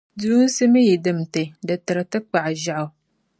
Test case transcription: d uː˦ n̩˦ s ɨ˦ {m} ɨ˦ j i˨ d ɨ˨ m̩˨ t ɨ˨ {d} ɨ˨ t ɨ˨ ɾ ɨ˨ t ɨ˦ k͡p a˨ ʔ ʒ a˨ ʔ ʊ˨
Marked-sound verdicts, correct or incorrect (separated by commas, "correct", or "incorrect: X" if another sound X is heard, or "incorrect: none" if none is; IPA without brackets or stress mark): correct, correct